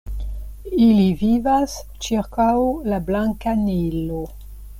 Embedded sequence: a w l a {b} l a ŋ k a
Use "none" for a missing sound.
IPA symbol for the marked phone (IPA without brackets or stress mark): b